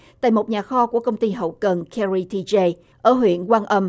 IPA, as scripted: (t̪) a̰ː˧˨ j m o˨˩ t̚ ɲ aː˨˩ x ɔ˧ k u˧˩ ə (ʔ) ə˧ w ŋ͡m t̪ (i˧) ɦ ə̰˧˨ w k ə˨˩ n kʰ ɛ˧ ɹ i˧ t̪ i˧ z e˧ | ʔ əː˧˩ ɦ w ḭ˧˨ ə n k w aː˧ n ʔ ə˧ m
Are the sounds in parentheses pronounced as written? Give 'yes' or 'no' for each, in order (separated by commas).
yes, no, yes